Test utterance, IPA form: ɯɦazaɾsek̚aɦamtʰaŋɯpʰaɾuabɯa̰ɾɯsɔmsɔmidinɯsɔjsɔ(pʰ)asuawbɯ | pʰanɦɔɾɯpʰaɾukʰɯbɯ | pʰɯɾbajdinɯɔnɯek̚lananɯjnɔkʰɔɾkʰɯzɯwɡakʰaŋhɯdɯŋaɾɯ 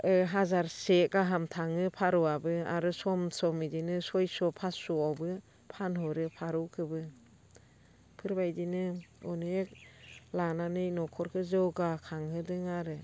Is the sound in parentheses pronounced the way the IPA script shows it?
yes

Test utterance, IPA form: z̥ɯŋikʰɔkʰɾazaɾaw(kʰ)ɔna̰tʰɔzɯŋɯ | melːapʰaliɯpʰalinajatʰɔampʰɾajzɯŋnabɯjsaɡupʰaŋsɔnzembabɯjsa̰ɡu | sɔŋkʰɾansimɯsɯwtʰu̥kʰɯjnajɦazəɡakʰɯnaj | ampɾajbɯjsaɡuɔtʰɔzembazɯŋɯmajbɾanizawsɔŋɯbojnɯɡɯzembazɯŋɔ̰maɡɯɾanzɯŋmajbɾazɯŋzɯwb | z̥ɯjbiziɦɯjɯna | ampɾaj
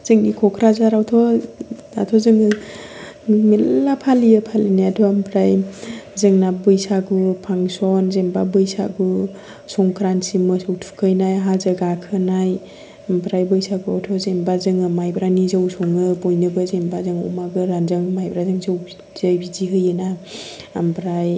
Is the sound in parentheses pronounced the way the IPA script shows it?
no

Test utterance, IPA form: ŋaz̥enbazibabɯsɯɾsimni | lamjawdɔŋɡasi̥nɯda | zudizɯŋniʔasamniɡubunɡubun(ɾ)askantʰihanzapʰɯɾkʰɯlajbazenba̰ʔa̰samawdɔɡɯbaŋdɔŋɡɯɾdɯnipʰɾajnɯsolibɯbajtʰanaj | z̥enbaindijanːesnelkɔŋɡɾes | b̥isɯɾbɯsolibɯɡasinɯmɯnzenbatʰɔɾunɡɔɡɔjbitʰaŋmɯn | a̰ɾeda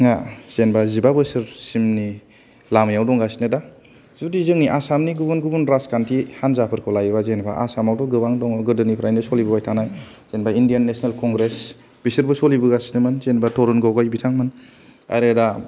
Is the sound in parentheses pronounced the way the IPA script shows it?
yes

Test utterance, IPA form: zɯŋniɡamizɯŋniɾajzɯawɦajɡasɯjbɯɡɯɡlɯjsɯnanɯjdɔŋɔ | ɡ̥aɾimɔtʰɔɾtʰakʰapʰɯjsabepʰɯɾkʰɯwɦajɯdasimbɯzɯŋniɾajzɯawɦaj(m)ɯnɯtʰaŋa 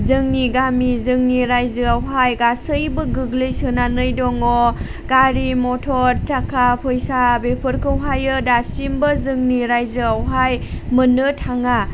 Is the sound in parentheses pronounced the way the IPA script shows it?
yes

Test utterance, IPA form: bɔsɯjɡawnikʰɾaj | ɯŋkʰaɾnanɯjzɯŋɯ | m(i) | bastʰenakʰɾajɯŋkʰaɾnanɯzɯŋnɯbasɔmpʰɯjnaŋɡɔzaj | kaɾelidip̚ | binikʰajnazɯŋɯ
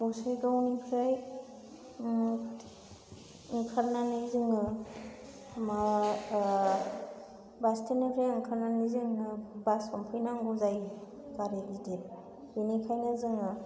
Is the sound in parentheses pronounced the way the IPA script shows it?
no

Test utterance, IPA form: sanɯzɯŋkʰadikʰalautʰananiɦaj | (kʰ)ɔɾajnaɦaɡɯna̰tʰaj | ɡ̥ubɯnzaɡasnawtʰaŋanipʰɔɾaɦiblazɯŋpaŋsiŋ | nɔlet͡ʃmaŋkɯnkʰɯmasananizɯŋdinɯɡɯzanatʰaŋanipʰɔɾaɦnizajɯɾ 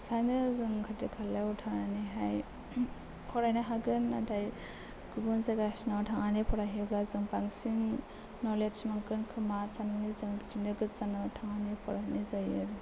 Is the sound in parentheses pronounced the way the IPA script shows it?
no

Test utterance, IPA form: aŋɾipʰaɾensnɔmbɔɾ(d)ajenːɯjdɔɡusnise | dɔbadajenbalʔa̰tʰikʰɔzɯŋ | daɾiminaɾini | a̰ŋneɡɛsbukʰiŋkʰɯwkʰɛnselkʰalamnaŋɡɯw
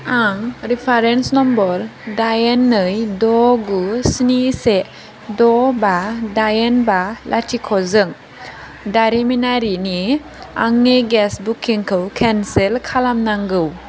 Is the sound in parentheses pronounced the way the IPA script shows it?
yes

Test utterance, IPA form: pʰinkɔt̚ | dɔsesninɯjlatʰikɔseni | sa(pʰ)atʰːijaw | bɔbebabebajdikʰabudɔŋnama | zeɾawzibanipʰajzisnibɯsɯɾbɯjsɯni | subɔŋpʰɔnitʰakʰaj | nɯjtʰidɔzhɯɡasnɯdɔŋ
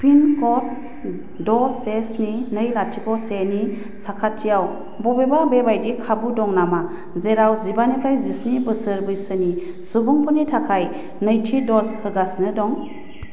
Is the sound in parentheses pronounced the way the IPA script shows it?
no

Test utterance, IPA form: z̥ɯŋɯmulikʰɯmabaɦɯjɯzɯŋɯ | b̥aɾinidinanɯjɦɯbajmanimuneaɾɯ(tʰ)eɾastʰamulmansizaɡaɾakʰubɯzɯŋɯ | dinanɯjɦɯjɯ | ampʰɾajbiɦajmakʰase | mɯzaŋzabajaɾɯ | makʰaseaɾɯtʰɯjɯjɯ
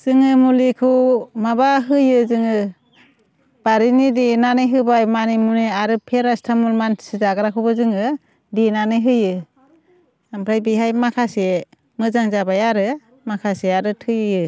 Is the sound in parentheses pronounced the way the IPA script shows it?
no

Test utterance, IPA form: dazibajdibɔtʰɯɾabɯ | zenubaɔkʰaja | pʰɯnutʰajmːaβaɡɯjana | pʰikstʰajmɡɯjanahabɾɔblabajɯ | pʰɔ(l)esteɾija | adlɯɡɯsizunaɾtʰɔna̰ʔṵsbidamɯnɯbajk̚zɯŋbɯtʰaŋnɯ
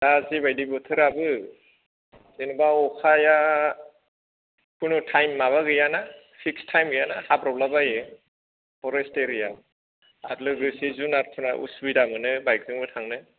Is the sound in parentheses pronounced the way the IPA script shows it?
no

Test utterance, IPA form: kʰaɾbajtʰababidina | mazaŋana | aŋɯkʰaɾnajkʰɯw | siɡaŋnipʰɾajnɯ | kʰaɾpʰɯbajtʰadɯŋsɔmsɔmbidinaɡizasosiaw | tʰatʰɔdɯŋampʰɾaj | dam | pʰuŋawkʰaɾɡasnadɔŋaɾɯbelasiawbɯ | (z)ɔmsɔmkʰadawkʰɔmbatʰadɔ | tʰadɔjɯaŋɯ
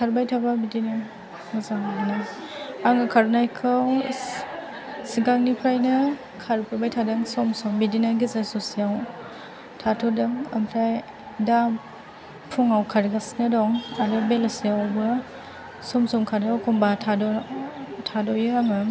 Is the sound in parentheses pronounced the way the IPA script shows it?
no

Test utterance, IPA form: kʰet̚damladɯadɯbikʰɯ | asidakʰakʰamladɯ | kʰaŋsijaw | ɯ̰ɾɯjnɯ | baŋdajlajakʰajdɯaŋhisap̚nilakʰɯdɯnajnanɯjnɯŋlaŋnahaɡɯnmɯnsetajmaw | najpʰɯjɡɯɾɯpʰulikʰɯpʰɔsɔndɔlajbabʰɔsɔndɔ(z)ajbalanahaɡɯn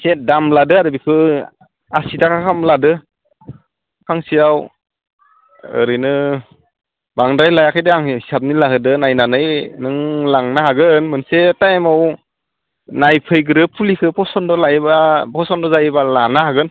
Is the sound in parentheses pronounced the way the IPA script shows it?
yes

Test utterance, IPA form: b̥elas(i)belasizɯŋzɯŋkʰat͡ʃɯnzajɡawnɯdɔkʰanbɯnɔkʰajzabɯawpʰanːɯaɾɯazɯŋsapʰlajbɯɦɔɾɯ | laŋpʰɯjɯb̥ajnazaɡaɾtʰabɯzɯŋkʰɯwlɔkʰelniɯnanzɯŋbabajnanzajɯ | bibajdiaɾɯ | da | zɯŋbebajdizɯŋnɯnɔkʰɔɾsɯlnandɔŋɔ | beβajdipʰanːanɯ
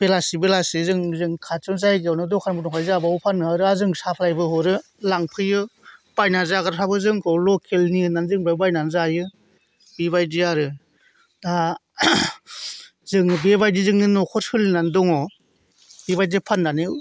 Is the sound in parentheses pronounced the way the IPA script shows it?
yes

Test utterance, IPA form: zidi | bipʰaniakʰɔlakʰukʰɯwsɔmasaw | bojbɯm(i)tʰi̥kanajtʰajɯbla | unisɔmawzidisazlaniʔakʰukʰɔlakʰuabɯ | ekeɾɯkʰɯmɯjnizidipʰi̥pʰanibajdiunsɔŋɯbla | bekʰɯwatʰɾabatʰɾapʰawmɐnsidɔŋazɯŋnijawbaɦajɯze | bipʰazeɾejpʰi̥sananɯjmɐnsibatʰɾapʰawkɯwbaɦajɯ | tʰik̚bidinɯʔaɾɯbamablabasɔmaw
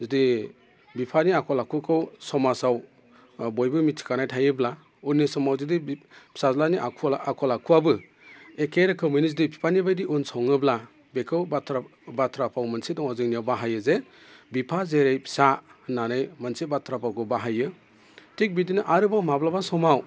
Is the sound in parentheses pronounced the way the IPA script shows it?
yes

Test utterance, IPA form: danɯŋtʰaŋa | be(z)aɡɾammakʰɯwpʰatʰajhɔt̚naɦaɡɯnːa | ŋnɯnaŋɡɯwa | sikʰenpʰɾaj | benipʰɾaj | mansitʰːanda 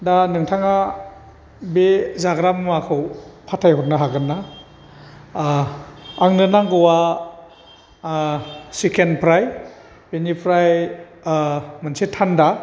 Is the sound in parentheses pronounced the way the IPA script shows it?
yes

